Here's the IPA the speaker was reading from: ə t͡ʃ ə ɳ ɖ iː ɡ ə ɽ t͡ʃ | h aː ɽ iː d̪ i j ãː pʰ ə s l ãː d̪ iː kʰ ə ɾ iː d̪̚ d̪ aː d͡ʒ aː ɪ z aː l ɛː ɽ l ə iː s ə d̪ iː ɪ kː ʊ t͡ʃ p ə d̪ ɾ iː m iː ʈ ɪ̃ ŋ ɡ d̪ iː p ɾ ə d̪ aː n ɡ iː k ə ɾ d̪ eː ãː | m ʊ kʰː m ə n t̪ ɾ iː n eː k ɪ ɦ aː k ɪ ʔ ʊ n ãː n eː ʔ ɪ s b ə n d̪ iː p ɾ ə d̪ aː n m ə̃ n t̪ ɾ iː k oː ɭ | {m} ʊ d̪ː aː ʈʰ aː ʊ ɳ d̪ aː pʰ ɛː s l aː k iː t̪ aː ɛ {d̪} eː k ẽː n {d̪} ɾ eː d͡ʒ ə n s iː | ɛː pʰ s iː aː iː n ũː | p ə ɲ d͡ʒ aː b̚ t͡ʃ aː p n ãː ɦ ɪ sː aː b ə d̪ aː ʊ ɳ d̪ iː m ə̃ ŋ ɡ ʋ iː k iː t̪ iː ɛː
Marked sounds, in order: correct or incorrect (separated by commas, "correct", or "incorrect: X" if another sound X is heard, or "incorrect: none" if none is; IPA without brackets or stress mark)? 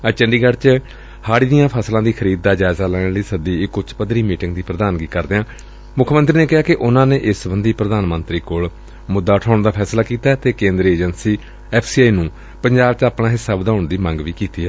correct, incorrect: t̪, correct